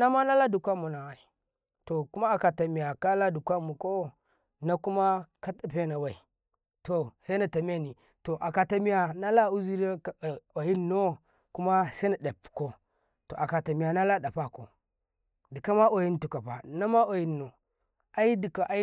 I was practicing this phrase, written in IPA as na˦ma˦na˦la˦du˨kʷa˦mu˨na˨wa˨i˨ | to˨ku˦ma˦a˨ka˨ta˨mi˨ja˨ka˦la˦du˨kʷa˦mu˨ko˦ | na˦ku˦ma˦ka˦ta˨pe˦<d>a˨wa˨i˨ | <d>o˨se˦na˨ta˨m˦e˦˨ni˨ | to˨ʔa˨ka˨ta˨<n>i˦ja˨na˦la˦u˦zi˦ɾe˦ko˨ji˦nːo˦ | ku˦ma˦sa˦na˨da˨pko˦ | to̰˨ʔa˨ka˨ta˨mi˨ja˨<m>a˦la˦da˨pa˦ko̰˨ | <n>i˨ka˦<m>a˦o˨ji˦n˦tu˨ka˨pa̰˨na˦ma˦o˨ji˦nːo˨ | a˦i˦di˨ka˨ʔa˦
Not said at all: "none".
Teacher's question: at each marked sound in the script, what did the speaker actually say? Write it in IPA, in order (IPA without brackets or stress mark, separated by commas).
n, t, m, n, d, m